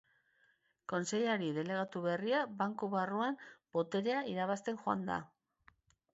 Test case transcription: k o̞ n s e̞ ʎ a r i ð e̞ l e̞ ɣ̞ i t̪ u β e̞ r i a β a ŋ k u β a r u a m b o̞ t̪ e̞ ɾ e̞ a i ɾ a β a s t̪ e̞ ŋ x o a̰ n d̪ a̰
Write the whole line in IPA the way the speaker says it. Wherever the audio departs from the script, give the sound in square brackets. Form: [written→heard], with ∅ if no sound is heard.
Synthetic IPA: k o̞ n s e̞ ʎ a [r→ɾ] i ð e̞ l e̞ ɣ̞ [i→a] t̪ u β e̞ r i a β a ŋ k u β a r u a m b o̞ t̪ e̞ ɾ e̞ a i ɾ a β a s t̪ e̞ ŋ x o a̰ n d̪ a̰